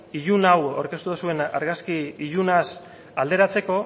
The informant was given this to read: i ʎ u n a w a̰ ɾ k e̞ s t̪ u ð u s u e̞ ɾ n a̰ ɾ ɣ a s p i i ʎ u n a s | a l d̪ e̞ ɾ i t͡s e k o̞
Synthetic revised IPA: i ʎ u n a w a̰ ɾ k e̞ s t̪ u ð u s u e̞ n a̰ ɾ ɣ a s k i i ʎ u n a s | a l d̪ e̞ ɾ a t͡s e k o̞